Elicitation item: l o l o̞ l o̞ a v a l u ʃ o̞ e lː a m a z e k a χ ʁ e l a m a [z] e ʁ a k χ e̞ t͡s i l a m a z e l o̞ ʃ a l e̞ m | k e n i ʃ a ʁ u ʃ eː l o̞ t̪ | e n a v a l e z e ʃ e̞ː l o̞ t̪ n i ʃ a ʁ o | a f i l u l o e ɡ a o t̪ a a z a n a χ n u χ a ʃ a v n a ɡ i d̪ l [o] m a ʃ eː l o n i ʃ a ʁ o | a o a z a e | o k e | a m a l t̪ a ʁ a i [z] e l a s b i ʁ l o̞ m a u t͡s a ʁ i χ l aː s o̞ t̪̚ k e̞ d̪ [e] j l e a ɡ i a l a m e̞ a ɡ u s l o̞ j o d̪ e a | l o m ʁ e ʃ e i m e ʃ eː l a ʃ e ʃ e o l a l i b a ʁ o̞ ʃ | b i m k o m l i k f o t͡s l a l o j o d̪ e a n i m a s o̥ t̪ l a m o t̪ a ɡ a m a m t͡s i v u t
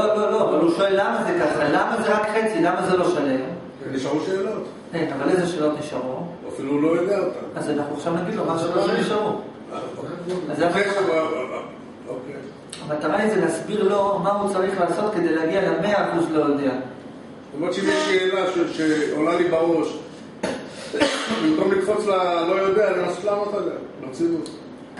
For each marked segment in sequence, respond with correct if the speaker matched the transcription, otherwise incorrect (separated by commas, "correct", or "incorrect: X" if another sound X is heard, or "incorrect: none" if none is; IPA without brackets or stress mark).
correct, correct, correct, correct